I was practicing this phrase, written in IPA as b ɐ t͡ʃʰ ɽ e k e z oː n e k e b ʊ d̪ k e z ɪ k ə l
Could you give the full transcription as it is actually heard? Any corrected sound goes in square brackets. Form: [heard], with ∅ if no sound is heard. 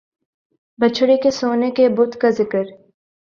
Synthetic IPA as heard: b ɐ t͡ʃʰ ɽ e k e [s] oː n e k e b ʊ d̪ k [a] z ɪ k ə [ɾ]